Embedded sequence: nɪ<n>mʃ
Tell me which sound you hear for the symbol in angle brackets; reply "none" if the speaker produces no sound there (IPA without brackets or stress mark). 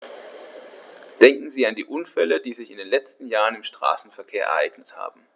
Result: none